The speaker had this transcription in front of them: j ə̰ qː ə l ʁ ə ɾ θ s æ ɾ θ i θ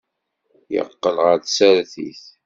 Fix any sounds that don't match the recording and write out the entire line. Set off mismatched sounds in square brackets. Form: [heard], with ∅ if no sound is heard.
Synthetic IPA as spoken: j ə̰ qː ə l ʁ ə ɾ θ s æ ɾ θ i θ